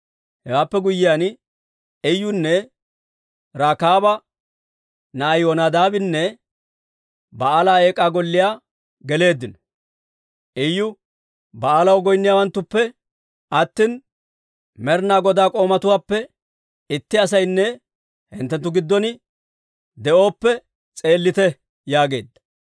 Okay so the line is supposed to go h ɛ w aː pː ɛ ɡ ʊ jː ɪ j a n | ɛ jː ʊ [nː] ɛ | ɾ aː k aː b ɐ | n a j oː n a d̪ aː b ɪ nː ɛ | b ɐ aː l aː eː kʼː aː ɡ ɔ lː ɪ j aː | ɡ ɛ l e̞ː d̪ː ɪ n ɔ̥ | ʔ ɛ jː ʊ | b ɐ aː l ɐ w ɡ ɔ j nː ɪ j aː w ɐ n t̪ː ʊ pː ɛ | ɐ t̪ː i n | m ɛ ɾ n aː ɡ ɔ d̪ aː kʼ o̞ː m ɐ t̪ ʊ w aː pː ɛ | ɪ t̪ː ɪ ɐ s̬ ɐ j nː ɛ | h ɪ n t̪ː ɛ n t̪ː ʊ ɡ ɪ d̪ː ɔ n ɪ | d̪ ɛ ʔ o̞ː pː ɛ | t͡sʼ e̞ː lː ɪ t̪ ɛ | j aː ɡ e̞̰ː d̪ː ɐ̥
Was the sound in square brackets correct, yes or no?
yes